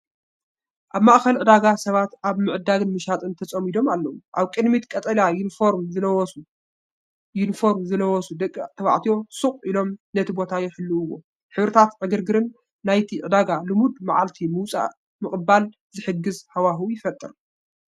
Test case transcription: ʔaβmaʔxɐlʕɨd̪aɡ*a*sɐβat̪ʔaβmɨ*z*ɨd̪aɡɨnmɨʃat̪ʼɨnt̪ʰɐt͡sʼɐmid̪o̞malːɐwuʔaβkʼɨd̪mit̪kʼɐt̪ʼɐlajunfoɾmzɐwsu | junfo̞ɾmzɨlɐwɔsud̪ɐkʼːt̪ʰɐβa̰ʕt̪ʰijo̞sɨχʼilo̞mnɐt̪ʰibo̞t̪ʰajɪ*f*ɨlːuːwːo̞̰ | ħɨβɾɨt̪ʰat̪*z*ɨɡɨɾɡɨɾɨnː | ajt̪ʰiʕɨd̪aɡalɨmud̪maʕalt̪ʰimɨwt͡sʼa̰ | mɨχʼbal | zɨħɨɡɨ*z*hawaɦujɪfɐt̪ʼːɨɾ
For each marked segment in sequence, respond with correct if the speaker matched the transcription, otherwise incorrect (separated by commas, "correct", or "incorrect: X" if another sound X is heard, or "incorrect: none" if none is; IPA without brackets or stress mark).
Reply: correct, incorrect: ʕ, incorrect: ħ, incorrect: ʕ, correct